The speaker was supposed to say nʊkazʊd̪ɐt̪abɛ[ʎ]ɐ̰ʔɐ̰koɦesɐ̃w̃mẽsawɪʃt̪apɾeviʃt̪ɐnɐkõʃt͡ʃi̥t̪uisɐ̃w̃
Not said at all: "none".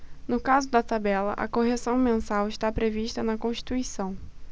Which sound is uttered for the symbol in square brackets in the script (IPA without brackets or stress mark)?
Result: l